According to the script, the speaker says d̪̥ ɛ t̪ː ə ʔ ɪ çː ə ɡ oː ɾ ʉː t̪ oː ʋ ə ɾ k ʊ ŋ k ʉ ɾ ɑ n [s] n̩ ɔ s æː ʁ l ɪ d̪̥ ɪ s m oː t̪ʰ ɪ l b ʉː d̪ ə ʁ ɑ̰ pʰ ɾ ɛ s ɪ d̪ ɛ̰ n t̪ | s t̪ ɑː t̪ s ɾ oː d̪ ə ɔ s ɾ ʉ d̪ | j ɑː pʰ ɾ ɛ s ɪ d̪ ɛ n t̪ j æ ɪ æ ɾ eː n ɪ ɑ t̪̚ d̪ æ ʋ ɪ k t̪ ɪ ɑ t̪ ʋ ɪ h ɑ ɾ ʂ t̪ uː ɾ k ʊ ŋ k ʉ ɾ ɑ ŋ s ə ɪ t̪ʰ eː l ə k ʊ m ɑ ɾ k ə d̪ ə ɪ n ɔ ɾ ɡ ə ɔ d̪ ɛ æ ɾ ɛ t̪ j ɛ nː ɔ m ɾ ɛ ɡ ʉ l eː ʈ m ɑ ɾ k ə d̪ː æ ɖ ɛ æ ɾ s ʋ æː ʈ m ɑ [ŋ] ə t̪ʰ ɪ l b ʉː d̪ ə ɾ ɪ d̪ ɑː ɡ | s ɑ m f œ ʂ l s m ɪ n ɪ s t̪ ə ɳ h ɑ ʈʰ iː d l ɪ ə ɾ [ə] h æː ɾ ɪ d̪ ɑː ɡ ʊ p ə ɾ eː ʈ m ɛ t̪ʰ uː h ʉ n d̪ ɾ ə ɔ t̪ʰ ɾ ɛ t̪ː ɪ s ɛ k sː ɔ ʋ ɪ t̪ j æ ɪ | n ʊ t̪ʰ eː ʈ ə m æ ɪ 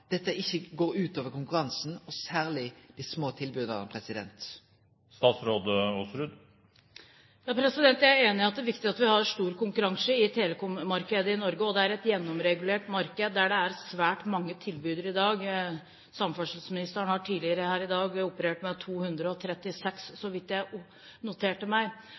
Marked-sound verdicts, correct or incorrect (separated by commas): correct, incorrect, correct